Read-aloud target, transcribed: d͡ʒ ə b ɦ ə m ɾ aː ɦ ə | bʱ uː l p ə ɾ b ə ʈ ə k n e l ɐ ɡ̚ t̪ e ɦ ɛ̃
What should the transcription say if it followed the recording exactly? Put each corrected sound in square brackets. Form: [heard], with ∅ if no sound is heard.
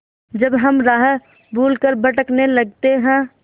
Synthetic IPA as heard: d͡ʒ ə b ɦ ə m ɾ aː ɦ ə | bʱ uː l [k] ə ɾ b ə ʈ ə k n e l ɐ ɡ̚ t̪ e ɦ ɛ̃